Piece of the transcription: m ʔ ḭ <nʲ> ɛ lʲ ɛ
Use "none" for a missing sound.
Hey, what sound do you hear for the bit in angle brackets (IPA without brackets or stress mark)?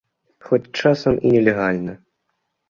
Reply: nʲ